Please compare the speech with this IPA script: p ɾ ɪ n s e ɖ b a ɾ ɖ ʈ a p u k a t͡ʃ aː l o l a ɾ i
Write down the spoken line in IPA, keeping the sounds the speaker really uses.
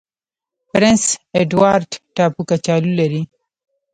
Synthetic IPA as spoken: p ɾ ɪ n s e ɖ w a ɾ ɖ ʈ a p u k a t͡ʃ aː l u l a ɾ i